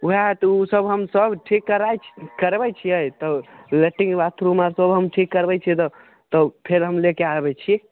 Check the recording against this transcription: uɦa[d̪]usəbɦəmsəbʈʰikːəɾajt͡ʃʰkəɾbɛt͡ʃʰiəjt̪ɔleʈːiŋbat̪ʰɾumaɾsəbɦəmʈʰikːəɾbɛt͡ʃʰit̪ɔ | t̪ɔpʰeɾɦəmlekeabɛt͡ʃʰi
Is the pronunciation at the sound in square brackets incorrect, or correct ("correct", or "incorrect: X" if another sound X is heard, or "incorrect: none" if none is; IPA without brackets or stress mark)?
incorrect: t̪